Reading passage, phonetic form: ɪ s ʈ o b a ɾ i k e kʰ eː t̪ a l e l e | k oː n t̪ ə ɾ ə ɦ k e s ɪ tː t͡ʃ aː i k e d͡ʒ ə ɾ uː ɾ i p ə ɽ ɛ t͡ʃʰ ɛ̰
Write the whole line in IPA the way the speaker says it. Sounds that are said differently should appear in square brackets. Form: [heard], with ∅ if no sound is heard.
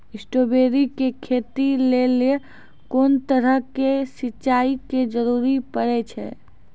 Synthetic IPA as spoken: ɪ s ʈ o b [e] ɾ i k e kʰ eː t̪ [i] l e l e | k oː n t̪ ə ɾ ə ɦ k e s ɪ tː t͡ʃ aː i k e d͡ʒ ə ɾ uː ɾ i p ə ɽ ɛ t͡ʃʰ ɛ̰

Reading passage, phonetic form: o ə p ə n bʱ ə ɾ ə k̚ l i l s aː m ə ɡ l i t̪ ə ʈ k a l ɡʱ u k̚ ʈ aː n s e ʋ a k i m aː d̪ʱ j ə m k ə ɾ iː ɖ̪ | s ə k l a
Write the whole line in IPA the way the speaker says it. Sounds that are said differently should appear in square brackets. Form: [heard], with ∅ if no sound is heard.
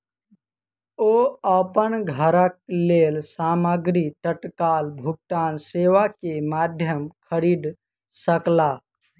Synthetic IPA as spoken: o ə p ə n [ɡʱ] ə ɾ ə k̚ l [e] l s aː m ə ɡ [ɾ] i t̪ ə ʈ k a l [bʱ] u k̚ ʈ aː n s e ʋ a k [e] m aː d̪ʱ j ə m [kʰ] ə ɾ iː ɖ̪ | s ə k l a

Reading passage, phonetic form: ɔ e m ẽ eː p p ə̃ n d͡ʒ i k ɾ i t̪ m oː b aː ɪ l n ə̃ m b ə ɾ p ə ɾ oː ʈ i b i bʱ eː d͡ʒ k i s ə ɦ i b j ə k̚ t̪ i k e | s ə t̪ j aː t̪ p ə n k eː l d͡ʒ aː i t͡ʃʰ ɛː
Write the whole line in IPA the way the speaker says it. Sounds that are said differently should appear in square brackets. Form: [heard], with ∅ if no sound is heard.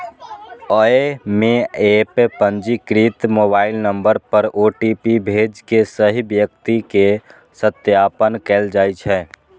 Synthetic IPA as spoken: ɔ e m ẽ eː p p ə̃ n d͡ʒ i k ɾ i t̪ m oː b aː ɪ l n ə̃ m b ə ɾ p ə ɾ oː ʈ i [p] i bʱ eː d͡ʒ k [e] s ə ɦ i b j ə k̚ t̪ i k e | s ə t̪ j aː [∅] p ə n k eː l d͡ʒ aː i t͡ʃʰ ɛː

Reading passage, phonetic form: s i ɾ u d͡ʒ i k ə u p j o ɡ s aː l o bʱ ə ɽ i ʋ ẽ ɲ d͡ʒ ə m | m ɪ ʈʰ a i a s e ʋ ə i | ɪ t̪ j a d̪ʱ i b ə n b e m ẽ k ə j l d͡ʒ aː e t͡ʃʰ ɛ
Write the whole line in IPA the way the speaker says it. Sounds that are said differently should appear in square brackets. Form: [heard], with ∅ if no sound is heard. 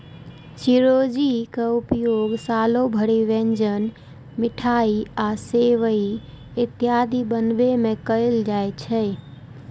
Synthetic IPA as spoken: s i ɾ [o] d͡ʒ i k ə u p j o ɡ s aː l o bʱ ə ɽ i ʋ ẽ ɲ d͡ʒ ə [n] | m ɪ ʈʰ a i a s e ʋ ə i | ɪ t̪ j a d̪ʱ i b ə n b e m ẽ k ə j l d͡ʒ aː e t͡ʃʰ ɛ

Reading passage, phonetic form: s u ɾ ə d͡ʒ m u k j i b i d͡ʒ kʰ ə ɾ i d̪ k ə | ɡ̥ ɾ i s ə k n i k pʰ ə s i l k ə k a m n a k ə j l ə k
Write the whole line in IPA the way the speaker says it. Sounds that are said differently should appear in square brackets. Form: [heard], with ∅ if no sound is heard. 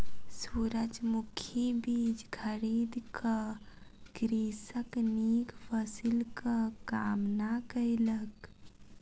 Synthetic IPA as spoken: s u ɾ ə d͡ʒ m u [kʰ] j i b i d͡ʒ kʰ ə ɾ i d̪ k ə | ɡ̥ ɾ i s ə k n i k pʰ ə s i l k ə k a m n a k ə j l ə k

